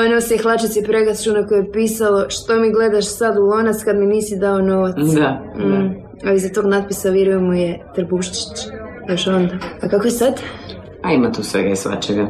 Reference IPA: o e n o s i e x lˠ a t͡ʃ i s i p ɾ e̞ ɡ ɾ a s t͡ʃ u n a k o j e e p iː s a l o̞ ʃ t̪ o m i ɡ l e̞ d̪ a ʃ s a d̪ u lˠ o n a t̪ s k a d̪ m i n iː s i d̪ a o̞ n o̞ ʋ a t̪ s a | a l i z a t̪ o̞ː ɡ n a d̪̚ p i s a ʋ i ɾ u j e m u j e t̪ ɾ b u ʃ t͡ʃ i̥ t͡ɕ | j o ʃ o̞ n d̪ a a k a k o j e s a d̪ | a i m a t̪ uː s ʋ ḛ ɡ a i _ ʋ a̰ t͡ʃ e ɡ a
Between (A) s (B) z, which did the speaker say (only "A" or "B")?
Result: A